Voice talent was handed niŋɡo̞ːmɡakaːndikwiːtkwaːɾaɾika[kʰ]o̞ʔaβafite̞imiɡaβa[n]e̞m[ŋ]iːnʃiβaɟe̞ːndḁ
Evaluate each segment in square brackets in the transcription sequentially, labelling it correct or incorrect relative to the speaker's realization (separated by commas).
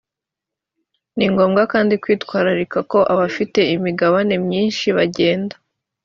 incorrect, correct, incorrect